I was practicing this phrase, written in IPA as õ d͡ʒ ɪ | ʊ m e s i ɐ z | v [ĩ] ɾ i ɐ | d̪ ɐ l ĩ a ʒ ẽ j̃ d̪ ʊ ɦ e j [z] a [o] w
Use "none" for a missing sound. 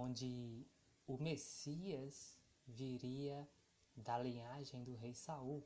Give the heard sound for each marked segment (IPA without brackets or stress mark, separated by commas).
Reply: i, s, u